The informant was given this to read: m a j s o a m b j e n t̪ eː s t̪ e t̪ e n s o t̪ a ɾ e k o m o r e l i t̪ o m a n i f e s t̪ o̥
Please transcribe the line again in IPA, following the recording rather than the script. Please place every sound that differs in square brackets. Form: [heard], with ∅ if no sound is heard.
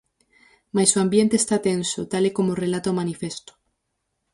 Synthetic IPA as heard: m a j s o a m b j e n t̪ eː s t̪ [a] t̪ e n s o t̪ a [l] e k o m o r e l [a] t̪ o m a n i f e s t̪ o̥